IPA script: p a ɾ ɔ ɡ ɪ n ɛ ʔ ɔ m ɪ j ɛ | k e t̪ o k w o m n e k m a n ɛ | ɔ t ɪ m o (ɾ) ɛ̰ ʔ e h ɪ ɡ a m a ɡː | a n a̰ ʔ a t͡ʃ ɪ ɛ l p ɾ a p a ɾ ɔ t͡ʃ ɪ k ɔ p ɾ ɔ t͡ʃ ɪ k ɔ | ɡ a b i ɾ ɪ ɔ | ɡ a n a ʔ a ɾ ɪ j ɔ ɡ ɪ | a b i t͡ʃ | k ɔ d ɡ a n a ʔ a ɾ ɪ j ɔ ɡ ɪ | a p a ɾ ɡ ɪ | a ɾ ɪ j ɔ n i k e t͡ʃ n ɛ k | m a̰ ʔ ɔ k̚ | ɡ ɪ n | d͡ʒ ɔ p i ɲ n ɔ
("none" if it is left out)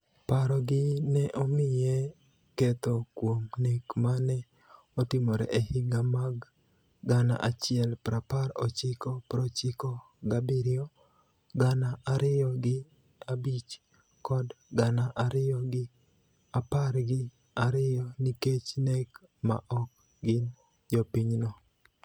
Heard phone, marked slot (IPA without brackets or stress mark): ɾ